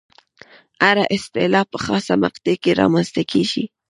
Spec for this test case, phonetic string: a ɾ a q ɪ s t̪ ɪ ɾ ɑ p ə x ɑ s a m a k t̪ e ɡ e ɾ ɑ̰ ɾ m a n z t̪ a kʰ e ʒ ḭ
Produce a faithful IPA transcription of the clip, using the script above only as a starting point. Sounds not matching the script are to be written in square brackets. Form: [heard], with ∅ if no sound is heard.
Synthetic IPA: a ɾ a [ʔ] ɪ s t̪ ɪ [l] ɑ p ə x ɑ s a m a [q] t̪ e [k] e ɾ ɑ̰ [∅] m a n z t̪ a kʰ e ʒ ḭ